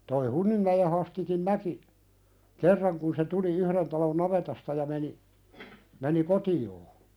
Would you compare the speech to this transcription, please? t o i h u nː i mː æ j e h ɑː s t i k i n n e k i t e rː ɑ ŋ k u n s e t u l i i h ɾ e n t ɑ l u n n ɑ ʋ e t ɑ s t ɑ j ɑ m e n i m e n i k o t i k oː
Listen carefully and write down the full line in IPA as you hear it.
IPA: t o i h u nː i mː æ j e h ɑ s t i k i n n æ k i k e rː ɑ ŋ k u n s e t u l i y h ɾ e n t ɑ l o n n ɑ ʋ e t ɑ s t ɑ j ɑ m e n i m e n i k o t i oː